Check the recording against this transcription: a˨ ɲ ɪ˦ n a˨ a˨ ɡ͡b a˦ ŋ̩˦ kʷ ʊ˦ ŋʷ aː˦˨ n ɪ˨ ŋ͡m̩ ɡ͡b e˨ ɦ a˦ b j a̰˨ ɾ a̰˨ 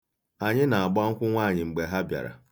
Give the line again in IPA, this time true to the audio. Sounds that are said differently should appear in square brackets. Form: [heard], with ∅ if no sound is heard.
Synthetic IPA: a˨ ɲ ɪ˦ n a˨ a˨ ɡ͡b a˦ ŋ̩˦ kʷ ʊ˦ ŋʷ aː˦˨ [ɲ] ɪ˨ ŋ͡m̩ ɡ͡b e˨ ɦ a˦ b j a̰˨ ɾ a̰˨